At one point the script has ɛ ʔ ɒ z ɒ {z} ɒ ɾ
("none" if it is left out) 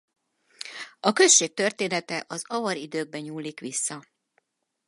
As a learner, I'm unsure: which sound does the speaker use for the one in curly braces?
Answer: v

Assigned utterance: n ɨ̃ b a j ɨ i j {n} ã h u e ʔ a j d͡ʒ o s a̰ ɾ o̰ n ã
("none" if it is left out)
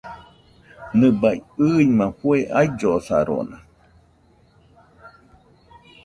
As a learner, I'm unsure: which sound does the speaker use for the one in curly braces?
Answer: m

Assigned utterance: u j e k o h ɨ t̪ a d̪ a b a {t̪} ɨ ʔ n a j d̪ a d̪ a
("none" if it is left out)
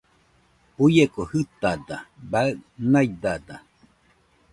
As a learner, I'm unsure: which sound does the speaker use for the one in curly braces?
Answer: none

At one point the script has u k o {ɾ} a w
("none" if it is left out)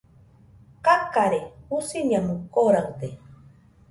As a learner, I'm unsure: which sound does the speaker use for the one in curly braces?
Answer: ɾ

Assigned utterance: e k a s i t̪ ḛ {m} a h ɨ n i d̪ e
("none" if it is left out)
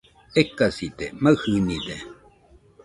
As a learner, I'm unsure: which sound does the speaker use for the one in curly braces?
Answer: m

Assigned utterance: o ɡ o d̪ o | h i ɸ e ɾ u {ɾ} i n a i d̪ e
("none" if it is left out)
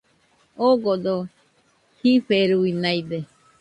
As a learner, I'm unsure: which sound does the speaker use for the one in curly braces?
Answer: none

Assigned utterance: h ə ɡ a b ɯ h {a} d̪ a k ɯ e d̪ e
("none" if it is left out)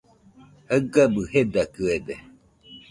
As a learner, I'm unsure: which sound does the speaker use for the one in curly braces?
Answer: e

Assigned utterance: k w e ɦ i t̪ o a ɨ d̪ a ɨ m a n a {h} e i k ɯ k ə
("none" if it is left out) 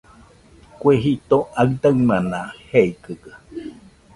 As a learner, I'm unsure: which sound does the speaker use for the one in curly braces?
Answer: h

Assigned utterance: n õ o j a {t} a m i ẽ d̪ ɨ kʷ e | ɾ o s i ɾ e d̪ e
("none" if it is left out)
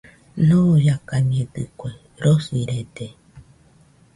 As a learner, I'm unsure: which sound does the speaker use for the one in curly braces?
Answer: k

